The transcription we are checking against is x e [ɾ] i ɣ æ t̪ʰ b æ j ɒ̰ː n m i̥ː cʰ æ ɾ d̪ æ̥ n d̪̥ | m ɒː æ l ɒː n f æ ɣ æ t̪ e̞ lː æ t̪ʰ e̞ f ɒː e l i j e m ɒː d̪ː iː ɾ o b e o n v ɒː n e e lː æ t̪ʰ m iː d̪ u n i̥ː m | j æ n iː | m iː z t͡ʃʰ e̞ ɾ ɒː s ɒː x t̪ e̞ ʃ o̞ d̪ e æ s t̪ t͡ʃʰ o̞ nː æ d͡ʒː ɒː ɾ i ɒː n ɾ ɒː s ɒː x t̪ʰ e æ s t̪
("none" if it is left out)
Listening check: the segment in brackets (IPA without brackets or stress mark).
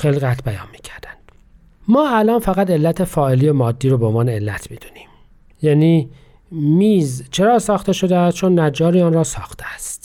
l